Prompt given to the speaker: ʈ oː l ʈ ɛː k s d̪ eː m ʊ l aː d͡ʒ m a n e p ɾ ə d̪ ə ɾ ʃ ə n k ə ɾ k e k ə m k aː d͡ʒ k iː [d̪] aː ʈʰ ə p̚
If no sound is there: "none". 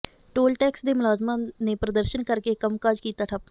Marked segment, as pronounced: t̪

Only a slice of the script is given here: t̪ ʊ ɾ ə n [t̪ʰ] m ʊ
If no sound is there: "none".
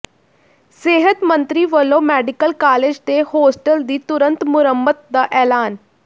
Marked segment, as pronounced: t̪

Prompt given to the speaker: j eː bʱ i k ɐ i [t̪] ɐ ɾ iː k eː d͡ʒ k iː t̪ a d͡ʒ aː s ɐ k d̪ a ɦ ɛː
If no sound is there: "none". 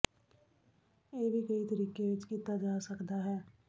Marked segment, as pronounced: t̪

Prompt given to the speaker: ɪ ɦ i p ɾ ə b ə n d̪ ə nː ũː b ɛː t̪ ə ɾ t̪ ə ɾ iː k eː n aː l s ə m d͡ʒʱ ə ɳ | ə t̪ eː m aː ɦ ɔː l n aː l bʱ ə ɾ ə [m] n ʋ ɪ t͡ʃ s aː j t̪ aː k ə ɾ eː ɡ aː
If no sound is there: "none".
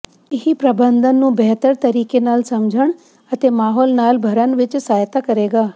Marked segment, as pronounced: none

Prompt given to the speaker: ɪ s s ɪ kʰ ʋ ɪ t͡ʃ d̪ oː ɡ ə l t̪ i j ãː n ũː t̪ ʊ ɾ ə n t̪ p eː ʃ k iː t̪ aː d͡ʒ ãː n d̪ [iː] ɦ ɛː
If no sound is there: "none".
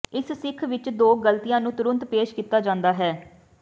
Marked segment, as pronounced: aː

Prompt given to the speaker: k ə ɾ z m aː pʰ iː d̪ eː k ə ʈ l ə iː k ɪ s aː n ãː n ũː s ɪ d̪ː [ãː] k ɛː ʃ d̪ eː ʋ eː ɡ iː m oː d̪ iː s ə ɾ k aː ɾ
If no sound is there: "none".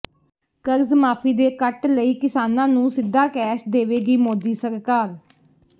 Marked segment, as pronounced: aː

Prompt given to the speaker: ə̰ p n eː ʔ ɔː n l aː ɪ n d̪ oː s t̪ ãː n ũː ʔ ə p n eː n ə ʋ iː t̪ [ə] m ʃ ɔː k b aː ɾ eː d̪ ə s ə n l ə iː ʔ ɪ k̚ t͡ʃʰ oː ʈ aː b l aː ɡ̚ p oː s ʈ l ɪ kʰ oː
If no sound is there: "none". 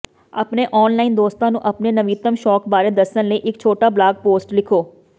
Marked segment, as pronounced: ə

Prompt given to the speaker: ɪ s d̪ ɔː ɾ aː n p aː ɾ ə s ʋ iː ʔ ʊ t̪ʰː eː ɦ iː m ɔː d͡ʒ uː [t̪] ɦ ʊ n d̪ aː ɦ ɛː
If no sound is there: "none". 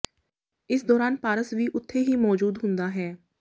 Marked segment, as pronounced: d̪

